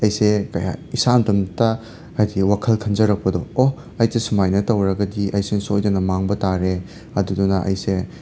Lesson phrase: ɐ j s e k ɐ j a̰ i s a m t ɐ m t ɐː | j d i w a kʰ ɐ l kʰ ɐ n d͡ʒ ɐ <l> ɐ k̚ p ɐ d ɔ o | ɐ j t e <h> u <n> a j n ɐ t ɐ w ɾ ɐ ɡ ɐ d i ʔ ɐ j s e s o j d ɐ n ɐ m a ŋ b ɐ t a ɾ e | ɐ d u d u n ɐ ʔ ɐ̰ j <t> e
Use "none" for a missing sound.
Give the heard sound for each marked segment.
ɾ, s, m, s

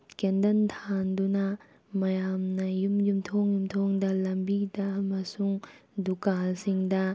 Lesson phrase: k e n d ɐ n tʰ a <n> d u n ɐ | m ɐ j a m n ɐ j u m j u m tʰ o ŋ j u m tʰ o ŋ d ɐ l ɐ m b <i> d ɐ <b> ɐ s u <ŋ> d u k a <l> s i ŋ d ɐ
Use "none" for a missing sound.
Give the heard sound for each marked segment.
n, i, m, ŋ, l

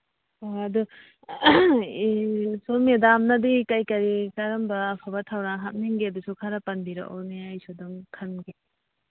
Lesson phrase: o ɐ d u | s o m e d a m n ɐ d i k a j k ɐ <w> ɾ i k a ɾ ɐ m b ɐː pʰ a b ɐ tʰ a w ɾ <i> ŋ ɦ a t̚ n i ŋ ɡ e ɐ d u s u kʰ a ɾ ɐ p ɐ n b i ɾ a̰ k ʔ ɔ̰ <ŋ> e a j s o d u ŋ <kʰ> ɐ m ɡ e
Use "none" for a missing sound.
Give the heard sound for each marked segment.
none, a, n, kʰ

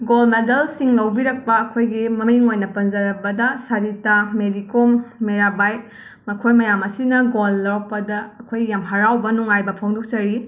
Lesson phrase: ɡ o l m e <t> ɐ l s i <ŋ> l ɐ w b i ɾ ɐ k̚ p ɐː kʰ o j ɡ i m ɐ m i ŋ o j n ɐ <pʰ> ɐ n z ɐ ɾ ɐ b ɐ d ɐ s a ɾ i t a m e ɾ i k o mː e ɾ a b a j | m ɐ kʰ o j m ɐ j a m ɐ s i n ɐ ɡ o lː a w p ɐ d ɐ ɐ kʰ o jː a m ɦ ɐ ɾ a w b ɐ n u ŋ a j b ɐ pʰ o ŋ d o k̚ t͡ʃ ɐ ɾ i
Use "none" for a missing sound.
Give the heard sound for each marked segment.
d, ŋ, p

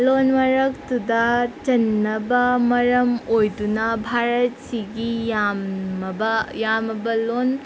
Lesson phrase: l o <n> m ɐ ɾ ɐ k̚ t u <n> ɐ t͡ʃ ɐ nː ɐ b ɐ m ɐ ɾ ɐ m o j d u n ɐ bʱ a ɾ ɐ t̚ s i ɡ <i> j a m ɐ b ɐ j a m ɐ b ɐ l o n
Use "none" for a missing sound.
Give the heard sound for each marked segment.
n, d, i

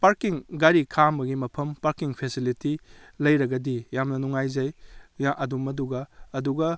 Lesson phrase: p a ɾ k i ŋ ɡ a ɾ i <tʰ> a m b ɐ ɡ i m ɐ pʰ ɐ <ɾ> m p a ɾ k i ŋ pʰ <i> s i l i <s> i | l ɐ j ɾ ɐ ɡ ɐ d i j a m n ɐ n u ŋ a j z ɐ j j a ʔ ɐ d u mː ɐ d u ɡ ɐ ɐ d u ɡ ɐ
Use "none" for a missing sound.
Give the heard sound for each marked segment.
kʰ, none, e, t

